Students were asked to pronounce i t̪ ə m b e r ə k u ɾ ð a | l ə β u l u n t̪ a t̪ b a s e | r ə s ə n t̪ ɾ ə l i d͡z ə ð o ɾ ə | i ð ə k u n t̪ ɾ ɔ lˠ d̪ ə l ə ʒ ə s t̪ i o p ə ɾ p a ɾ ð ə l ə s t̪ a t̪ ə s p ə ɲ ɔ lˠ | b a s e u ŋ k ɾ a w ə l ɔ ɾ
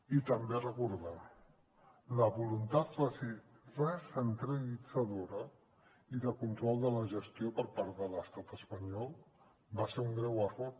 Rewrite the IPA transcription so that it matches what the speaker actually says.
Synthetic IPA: i t̪ ə m b e r ə k u ɾ ð a | l ə β u l u n t̪ a t̪ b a s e | r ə s ə n t̪ ɾ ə l i d͡z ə ð o ɾ ə | i ð ə k u n t̪ ɾ ɔ lˠ d̪ ə l ə ʒ ə s t̪ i o p ə ɾ p a ɾ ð ə l ə s t̪ a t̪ ə s p ə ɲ ɔ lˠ | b a s e u ŋ ɡ ɾ ɛ w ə r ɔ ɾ